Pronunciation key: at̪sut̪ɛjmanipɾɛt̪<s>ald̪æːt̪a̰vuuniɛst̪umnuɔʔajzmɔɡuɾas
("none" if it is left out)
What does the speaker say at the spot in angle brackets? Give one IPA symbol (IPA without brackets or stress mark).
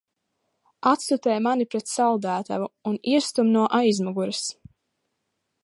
s